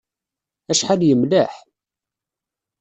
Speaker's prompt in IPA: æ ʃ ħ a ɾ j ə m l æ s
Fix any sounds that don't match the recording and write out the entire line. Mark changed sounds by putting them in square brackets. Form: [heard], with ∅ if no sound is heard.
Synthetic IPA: æ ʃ ħ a [l] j ə m l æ [ħ]